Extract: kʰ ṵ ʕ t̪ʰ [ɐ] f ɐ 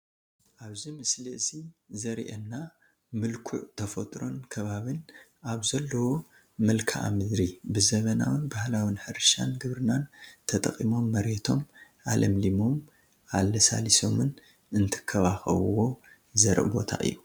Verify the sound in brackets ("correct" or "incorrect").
correct